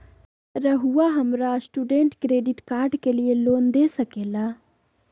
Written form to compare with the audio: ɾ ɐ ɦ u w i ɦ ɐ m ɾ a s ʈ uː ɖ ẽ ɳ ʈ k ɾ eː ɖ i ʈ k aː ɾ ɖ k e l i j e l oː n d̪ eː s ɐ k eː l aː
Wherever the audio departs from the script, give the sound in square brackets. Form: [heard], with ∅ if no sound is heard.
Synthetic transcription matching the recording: ɾ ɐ ɦ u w [a] ɦ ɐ m ɾ a s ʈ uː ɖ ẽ ɳ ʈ k ɾ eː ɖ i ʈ k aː ɾ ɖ k e l i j e l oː n d̪ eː s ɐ k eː l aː